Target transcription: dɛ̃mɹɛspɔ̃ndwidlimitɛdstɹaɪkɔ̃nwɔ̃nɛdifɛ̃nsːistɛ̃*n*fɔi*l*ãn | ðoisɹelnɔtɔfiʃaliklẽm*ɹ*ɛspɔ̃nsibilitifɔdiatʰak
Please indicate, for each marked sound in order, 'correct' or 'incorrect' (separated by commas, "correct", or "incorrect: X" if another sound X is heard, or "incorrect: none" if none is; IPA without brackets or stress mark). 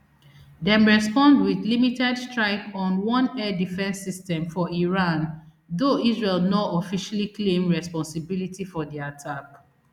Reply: incorrect: m, incorrect: ɹ, correct